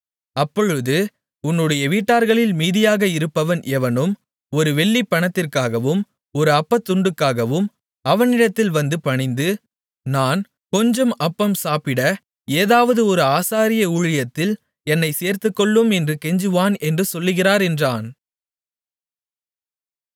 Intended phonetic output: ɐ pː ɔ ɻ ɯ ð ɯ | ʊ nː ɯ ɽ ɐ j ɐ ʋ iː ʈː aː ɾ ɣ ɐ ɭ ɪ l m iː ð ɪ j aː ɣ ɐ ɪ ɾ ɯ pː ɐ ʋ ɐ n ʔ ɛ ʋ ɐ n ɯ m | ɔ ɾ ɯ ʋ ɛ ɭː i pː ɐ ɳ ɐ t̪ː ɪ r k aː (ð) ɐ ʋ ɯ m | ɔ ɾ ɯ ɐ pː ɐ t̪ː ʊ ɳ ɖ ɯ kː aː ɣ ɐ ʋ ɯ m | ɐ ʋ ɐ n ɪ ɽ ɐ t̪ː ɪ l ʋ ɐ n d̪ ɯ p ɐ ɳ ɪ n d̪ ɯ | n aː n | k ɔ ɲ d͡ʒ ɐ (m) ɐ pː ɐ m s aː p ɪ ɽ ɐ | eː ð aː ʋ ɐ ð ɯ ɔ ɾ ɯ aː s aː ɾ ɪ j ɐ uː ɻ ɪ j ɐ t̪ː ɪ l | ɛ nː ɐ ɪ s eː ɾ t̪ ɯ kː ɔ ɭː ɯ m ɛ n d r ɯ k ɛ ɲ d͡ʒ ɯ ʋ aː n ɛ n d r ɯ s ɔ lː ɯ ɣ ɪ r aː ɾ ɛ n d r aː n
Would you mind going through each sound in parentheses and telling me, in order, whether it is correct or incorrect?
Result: incorrect: ɣ, correct

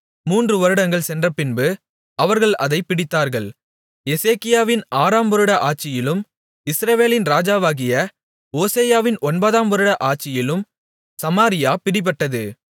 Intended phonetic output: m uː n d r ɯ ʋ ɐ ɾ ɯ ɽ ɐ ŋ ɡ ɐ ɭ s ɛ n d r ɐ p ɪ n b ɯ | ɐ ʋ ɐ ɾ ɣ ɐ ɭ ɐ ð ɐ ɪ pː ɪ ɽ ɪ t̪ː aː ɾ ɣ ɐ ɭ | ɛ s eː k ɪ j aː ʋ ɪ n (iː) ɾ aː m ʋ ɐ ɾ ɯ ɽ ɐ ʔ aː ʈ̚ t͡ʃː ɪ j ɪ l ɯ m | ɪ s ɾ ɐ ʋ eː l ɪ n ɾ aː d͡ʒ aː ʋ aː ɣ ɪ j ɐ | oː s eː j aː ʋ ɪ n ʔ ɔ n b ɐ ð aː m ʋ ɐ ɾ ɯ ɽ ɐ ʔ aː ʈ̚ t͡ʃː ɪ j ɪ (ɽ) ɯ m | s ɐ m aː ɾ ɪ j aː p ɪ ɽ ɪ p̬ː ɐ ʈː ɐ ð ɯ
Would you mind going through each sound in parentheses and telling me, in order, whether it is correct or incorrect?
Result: incorrect: aː, incorrect: l

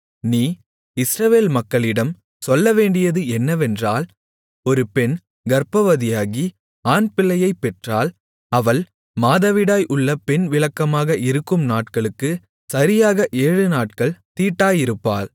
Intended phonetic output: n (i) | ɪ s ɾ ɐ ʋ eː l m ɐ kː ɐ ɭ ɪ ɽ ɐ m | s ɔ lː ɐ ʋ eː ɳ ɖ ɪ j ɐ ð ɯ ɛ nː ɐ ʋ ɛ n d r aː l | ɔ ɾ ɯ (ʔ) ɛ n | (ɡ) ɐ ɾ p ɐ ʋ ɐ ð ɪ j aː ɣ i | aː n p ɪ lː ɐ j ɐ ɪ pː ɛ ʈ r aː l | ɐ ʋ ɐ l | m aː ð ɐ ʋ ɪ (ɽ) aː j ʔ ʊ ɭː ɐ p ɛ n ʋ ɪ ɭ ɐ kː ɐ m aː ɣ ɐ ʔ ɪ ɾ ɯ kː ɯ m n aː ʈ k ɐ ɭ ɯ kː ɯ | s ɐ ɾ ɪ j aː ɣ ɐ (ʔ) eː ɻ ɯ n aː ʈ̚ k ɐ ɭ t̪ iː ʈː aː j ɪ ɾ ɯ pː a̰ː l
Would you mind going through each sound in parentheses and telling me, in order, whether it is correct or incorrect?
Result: incorrect: iː, incorrect: p, correct, correct, correct

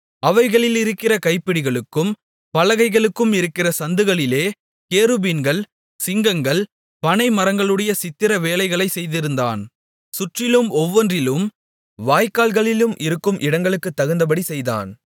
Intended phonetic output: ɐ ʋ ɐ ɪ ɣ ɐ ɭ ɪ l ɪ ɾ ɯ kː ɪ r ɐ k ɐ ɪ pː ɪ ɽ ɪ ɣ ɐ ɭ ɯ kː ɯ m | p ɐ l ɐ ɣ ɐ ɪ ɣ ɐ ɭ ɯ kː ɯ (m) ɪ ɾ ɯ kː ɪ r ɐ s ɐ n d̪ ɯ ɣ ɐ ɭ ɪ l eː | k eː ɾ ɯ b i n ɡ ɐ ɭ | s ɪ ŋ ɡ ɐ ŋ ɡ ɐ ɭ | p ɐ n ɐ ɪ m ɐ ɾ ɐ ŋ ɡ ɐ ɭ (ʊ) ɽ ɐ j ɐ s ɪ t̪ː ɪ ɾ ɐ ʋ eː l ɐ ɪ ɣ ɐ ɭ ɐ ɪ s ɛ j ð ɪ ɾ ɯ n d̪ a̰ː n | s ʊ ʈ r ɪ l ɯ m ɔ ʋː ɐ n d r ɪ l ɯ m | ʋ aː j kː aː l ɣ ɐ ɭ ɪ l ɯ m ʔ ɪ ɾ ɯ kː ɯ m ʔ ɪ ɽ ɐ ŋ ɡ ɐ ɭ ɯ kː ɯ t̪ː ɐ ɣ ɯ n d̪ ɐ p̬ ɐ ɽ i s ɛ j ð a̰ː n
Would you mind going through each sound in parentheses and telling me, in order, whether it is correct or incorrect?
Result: correct, incorrect: ɯ

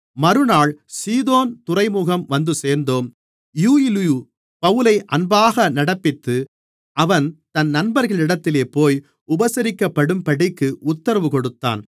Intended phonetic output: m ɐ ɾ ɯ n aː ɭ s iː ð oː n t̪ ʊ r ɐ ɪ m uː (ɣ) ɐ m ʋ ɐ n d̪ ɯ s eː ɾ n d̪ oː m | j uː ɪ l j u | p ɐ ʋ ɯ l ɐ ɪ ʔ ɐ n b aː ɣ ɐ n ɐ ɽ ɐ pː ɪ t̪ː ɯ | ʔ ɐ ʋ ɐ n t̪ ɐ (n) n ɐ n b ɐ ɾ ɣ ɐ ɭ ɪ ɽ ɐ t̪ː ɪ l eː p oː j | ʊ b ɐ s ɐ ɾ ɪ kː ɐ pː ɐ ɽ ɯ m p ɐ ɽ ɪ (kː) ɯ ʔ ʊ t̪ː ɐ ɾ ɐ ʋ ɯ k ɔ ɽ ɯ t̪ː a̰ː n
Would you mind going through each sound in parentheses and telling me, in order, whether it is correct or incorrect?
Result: correct, correct, correct

